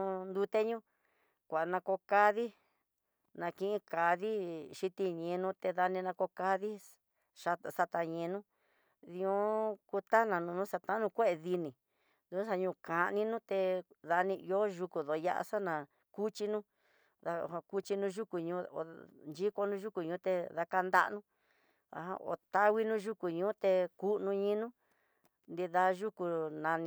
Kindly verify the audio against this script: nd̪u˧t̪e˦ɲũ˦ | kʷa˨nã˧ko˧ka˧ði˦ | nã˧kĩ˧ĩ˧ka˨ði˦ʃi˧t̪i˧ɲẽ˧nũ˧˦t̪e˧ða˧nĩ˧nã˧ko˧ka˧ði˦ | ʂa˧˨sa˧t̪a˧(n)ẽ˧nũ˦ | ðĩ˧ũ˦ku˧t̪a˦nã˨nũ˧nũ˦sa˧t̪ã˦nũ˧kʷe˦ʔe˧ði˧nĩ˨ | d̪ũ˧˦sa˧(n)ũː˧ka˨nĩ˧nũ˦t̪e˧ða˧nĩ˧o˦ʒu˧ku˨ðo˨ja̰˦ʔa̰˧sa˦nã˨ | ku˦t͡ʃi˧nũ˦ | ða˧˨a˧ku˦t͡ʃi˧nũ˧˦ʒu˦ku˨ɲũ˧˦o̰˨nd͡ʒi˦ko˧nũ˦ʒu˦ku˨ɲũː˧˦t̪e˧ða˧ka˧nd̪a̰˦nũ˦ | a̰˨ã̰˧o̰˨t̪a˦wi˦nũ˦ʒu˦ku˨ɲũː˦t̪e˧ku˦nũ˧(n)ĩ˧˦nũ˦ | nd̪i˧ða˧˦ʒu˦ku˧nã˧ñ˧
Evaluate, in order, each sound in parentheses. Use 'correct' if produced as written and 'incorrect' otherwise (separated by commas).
incorrect, incorrect, incorrect